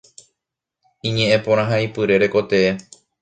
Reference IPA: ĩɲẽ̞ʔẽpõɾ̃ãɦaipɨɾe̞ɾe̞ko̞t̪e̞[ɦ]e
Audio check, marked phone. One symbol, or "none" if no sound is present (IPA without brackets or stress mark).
none